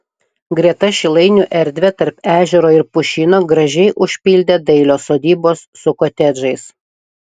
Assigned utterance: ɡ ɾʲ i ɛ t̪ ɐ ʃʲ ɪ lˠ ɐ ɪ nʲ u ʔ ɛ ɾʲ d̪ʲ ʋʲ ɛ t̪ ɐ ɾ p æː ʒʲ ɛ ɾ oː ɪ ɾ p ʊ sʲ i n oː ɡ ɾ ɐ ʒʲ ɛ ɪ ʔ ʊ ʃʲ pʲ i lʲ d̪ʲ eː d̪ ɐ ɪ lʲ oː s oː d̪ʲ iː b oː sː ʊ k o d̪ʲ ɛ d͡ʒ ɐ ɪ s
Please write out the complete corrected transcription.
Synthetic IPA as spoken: ɡ ɾʲ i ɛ t̪ ɐ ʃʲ ɪ lˠ ɐ ɪ nʲ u ʔ ɛ ɾʲ d̪ʲ ʋʲ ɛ t̪ ɐ ɾ p æː ʒʲ ɛ ɾ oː ɪ ɾ p ʊ ʃʲ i n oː ɡ ɾ ɐ ʒʲ ɛ ɪ ʔ ʊ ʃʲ pʲ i lʲ d̪ʲ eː d̪ ɐ ɪ lʲ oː s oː d̪ʲ iː b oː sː ʊ k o t̪ʲ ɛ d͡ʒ ɐ ɪ s